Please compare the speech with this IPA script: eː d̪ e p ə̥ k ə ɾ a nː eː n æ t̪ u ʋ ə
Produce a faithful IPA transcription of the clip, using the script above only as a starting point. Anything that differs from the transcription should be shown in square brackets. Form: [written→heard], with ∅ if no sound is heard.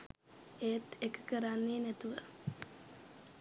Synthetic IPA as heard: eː [d̪→t̪] e [p→k] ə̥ k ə ɾ a nː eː n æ t̪ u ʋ ə